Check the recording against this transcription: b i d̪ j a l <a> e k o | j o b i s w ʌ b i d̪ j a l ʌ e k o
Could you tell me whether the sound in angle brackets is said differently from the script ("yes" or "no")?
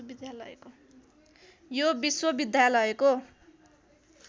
yes